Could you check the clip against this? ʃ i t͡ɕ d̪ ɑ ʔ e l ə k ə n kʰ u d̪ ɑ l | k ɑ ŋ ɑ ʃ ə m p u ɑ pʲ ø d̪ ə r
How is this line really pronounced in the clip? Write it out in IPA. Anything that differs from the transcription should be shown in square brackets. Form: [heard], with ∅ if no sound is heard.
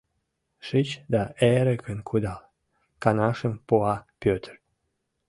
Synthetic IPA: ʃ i t͡ɕ d̪ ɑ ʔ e [ɾ] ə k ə n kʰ u d̪ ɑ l | k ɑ [n] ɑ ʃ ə m p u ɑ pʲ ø [t̪] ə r